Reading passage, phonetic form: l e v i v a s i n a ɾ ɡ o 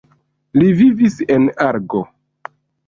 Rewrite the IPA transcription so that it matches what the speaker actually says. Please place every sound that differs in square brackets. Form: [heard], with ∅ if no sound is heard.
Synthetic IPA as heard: l [i] v i v [i] s [e] n a ɾ ɡ o